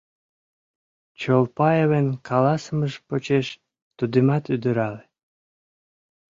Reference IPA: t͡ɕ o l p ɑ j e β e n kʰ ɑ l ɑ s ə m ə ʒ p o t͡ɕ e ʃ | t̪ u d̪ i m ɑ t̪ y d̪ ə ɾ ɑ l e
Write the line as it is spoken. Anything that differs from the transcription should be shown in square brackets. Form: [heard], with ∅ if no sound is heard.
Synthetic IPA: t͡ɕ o l p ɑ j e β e n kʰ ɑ l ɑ s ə m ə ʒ p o t͡ɕ e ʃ | t̪ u d̪ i m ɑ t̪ y d̪ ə ɾ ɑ l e